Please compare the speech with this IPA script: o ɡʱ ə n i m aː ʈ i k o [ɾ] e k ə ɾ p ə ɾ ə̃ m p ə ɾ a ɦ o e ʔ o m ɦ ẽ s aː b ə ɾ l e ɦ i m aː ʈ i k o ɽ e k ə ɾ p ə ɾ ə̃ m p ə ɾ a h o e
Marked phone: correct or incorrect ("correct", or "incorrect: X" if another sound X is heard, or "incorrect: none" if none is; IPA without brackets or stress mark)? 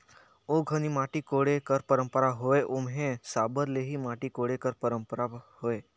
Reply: incorrect: ɽ